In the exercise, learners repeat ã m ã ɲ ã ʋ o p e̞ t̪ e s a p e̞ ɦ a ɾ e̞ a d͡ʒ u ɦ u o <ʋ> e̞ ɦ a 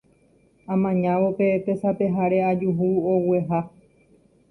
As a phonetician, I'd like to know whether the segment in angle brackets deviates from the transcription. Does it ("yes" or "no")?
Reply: yes